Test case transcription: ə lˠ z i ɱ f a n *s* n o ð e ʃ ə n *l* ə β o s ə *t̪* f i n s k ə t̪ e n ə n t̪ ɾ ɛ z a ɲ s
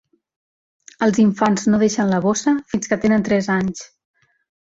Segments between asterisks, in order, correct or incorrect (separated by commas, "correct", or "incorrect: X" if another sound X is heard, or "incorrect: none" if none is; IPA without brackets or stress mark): incorrect: z, correct, incorrect: none